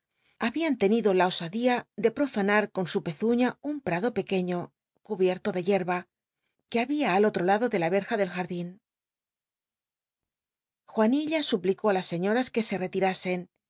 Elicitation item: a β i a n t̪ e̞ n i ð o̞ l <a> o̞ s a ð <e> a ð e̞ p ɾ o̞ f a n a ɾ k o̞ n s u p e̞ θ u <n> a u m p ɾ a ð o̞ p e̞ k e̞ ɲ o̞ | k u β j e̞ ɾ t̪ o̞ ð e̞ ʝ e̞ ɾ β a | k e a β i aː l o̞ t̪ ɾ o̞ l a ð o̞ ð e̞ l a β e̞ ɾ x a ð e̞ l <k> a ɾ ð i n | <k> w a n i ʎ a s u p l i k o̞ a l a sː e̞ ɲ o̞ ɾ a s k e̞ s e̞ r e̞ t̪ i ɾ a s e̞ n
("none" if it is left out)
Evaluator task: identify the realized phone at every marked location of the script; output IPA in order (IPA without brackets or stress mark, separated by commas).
a, i, ɲ, x, x